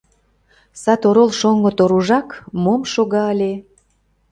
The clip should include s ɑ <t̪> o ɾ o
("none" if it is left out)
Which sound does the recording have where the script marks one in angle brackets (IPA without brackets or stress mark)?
t̪